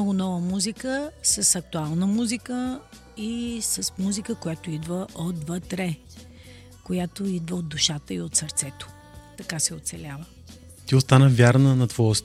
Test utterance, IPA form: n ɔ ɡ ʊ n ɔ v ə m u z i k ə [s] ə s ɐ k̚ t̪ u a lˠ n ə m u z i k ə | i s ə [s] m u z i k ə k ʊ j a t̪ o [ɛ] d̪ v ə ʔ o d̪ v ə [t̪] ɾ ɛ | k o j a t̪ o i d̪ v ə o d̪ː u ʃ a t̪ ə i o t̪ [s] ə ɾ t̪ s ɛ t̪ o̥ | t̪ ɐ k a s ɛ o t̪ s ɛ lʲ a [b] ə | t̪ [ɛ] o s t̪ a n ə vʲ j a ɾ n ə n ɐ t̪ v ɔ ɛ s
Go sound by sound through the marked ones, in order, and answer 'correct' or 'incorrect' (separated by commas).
correct, correct, incorrect, correct, correct, incorrect, incorrect